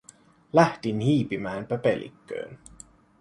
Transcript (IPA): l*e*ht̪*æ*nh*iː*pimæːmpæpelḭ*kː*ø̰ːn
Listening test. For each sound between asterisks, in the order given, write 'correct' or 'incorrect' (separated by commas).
incorrect, incorrect, correct, correct